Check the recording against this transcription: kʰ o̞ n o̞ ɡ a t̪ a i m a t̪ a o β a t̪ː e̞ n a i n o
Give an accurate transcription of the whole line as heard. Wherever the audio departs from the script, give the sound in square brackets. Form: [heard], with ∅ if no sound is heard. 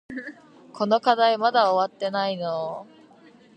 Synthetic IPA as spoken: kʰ o̞ n o̞ [k] a [d̪] a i m a [d̪] a o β a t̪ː e̞ n a i n o